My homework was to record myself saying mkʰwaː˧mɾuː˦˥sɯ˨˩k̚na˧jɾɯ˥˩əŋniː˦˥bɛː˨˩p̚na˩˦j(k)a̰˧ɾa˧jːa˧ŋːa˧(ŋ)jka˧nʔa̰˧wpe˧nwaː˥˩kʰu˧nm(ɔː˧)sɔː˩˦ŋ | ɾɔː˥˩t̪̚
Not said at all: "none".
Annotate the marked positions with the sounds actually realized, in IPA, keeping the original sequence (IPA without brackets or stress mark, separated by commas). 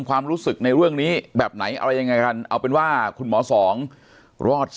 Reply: ʔ, none, ɔː˩˦